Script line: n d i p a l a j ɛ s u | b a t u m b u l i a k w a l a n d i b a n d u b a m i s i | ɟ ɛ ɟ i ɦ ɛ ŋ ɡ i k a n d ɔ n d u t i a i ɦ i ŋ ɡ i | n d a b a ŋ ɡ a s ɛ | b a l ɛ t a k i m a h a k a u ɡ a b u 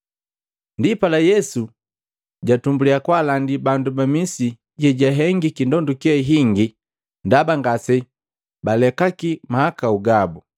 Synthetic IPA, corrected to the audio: n d i p a l a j ɛ s u | ɟ a t u m b u l i a k w a l a n d i b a n d u b a m i s i | ɟ ɛ ɟ a ɦ ɛ ŋ ɡ i k i n d ɔ n d u k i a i ɦ i ŋ ɡ i | n d a b a ŋ ɡ a s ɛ | b a l ɛ k a k i m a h a k a u ɡ a b u